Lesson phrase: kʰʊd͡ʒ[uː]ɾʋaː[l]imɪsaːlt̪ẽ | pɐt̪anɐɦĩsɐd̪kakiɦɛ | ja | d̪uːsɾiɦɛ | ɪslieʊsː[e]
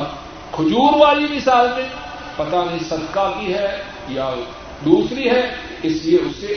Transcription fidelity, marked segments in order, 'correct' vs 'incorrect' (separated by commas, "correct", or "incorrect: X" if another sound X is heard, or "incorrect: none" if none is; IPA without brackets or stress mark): correct, correct, correct